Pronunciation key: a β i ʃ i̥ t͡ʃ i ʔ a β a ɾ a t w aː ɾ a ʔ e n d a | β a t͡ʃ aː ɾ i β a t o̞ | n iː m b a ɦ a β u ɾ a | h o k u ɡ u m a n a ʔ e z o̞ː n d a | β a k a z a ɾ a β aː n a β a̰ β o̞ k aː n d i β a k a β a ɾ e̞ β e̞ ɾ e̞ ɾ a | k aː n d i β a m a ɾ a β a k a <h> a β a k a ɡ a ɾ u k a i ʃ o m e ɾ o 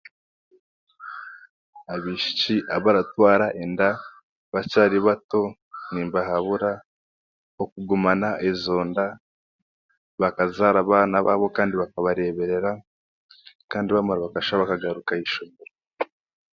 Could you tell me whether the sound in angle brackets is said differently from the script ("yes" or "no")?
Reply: yes